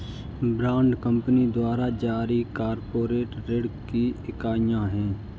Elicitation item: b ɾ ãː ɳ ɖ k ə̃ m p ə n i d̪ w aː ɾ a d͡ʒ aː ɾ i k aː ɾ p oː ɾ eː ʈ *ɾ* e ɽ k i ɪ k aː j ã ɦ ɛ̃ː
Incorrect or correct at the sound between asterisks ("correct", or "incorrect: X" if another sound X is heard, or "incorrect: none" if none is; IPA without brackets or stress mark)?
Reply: correct